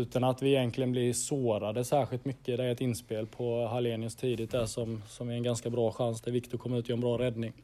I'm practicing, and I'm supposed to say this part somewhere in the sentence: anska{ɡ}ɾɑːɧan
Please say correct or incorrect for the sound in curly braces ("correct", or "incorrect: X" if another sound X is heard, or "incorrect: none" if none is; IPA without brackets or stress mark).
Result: incorrect: b